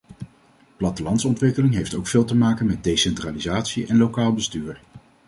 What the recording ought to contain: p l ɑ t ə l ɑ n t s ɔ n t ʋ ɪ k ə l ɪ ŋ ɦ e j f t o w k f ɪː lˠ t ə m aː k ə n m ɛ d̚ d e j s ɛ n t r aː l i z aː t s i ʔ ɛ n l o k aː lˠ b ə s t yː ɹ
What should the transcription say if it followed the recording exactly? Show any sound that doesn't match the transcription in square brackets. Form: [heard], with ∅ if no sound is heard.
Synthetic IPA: p l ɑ t ə l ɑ n t s ɔ n t ʋ ɪ k ə l ɪ ŋ ɦ e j f t o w k f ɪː lˠ t ə m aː k ə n m ɛ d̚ d e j s ɛ n t r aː l i z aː t s i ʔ ɛ n l o k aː lˠ b ə s t yː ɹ